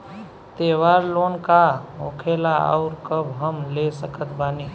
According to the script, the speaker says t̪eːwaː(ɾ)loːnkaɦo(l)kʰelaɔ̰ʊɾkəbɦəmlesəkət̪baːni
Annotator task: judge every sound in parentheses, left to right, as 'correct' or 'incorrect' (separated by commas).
correct, incorrect